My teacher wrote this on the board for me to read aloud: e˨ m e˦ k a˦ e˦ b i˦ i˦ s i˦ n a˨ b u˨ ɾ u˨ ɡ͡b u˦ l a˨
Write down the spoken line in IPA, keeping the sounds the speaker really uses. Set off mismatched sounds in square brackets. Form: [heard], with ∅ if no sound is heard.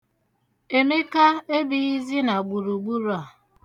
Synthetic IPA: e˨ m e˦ k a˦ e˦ b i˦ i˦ [z] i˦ n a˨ [ɡ͡b] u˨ ɾ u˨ ɡ͡b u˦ [ɾ] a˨